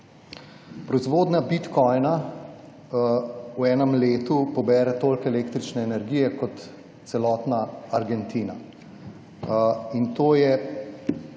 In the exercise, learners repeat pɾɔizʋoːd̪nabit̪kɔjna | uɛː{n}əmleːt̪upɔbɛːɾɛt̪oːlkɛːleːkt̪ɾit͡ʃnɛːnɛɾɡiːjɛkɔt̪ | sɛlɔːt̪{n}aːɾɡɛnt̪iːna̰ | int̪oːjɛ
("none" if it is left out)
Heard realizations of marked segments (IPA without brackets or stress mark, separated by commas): n, n